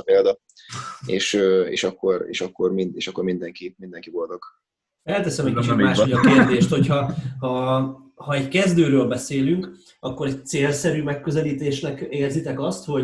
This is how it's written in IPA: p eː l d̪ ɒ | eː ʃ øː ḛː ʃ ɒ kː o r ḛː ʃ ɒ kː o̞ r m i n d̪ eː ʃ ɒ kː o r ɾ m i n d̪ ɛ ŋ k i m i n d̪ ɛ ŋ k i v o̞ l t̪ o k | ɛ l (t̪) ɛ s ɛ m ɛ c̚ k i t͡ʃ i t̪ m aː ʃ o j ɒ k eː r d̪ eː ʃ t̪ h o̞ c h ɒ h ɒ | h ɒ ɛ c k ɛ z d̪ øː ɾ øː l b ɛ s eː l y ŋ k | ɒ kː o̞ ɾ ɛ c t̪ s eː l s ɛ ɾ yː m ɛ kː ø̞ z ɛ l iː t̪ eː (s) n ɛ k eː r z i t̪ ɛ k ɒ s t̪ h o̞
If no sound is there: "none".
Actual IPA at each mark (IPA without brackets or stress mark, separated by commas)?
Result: t̪, ʃ